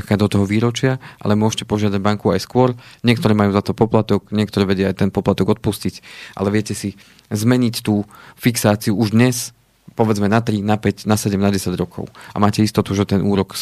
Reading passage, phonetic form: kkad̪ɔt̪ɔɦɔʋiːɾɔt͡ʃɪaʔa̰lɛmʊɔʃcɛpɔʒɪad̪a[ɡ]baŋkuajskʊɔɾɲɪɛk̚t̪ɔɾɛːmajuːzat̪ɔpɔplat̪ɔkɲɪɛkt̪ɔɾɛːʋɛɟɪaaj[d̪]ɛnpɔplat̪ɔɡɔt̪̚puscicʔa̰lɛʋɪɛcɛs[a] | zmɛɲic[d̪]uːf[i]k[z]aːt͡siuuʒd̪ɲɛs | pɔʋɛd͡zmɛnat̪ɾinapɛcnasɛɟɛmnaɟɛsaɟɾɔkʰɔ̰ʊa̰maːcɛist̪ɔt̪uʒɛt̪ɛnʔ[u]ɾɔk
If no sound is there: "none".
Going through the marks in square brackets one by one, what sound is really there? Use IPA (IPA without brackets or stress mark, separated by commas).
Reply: ɟ, t̪, i, t̪, i, s, uː